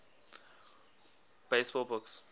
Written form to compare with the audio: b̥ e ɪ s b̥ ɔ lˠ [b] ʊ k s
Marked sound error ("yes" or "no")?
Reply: no